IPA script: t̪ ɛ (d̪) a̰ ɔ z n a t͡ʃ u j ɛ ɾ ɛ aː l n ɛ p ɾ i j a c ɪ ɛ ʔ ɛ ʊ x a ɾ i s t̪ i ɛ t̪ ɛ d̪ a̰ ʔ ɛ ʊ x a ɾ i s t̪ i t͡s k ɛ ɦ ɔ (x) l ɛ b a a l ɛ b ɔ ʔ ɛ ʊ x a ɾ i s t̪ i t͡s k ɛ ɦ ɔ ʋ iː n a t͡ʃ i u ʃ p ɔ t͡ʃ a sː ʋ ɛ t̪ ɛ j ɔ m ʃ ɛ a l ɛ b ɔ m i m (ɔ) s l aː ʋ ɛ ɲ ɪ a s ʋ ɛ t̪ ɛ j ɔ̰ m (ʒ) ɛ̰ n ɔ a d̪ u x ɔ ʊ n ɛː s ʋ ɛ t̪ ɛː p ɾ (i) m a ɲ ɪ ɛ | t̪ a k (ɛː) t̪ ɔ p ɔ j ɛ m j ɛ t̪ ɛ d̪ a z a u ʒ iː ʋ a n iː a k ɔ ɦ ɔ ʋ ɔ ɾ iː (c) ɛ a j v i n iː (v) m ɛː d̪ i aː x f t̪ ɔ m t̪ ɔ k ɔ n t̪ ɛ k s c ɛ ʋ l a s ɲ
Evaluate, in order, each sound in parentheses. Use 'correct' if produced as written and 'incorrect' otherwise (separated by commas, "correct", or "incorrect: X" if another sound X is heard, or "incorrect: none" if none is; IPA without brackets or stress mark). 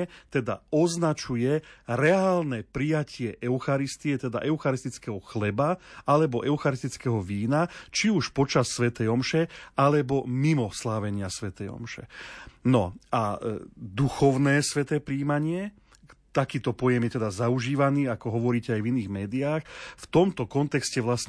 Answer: correct, correct, correct, incorrect: ʃ, incorrect: iː, incorrect: iː, correct, incorrect: ɣ